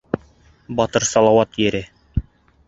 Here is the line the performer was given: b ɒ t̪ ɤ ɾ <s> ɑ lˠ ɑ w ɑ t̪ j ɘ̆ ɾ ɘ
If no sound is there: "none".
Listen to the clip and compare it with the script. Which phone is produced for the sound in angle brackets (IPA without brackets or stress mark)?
s